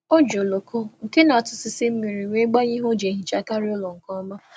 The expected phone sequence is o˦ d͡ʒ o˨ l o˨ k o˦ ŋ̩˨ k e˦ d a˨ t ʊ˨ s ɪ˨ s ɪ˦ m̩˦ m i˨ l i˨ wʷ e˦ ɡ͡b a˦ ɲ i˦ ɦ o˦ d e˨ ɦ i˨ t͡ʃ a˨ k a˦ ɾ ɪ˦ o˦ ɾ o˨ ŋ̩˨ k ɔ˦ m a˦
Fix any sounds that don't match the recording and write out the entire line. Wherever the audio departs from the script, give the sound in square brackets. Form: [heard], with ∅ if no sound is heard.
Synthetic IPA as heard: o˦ d͡ʒ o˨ l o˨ k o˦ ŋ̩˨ k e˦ [n] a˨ t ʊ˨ s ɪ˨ s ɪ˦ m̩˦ m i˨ [ɾ] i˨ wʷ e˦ ɡ͡b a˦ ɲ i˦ ɦ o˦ [d͡ʒ] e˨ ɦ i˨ t͡ʃ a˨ k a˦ ɾ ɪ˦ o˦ [l] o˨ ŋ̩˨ k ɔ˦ m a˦